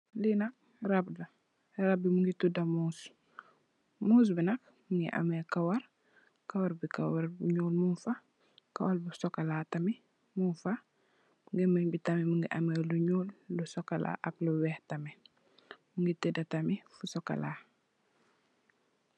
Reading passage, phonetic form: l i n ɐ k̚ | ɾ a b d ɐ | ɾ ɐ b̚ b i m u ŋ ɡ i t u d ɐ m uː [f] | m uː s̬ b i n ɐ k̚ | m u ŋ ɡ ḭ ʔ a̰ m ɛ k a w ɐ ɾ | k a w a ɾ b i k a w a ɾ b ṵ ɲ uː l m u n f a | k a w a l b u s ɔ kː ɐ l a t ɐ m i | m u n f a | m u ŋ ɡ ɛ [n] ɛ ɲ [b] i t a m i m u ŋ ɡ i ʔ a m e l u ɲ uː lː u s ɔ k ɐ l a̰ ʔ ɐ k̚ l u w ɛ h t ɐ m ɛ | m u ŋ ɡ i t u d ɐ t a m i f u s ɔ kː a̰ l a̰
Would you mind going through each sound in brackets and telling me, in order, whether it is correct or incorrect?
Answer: incorrect: s, incorrect: m, correct

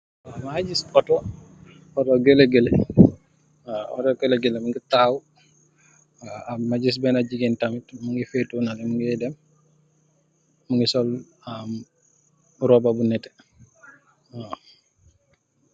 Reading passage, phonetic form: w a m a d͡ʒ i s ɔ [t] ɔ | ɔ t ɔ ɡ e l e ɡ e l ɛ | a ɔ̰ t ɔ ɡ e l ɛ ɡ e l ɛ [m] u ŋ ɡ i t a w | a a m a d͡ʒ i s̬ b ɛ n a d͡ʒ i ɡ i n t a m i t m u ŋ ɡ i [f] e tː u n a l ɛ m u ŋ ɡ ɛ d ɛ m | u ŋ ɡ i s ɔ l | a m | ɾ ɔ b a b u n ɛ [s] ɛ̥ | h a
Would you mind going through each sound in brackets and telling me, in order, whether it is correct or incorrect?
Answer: correct, correct, correct, incorrect: t

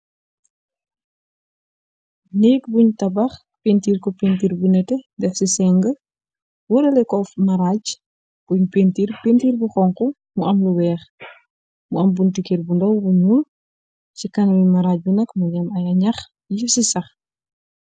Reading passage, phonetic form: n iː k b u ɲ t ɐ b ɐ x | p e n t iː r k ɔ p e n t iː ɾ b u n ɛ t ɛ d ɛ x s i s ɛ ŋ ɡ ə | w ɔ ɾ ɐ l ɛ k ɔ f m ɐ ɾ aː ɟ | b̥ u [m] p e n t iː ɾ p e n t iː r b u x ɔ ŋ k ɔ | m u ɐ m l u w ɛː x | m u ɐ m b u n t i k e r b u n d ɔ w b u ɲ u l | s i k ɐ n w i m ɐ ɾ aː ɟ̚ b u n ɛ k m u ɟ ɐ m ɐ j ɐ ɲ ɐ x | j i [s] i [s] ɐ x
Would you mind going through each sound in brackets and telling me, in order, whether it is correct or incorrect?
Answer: incorrect: ɲ, correct, correct

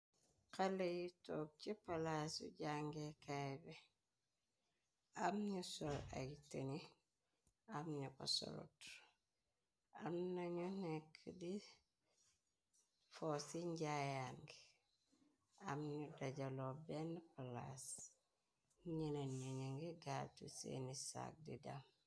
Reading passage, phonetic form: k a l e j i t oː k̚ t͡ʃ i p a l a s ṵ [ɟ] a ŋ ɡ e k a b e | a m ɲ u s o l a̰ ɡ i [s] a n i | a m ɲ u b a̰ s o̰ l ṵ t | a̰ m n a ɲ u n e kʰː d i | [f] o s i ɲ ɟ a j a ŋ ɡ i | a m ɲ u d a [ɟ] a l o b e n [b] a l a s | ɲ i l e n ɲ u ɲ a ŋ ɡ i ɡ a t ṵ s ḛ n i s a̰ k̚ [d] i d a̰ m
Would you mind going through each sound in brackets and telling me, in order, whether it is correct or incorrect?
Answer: correct, incorrect: t, correct, correct, incorrect: p, correct

